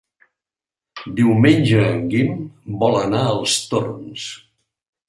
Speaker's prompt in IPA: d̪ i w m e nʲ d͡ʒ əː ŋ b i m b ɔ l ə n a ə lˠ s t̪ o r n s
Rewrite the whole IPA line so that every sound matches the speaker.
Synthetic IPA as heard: d̪ i w m e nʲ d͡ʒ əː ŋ ɡ i m b ɔ l ə n a ə lˠ s t̪ o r n s